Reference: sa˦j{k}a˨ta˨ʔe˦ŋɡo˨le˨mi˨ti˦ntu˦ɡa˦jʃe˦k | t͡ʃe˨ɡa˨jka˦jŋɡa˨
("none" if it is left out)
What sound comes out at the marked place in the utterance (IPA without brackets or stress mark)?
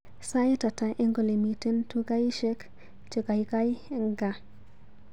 t